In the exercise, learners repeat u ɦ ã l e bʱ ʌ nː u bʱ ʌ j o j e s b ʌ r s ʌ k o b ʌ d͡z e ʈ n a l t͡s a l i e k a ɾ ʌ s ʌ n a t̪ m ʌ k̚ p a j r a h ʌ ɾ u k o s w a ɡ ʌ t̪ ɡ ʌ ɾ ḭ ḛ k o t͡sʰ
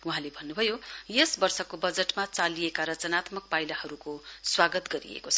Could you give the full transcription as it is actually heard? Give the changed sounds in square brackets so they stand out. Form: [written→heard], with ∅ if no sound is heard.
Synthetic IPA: u ɦ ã l e bʱ ʌ nː u bʱ ʌ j o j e s b ʌ r s ʌ k o b ʌ d͡z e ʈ [n→m] a [l→∅] t͡s a l i e k a ɾ ʌ [s→t͡s] ʌ n a t̪ m ʌ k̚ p a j [r→l] a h ʌ ɾ u k o s w a ɡ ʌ t̪ ɡ ʌ ɾ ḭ ḛ k o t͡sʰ